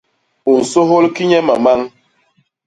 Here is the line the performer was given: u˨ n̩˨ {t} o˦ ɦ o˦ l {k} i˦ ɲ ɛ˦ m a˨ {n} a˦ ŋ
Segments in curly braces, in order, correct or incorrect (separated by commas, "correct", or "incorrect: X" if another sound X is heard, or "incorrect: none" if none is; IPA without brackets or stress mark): incorrect: s, correct, incorrect: m